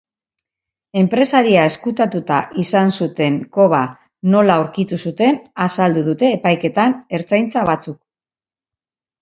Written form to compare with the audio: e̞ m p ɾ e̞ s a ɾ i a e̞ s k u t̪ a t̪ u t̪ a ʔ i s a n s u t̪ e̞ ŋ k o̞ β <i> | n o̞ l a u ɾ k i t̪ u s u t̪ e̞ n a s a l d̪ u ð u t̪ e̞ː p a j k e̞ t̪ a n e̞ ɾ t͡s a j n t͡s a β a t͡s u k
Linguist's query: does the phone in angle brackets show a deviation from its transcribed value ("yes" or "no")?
yes